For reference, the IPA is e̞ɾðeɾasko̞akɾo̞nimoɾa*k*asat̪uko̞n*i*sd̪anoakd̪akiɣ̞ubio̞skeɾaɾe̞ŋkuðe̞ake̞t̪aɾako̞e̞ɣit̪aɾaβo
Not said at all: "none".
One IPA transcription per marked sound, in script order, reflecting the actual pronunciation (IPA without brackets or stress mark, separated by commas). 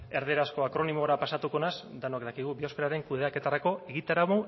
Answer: p, a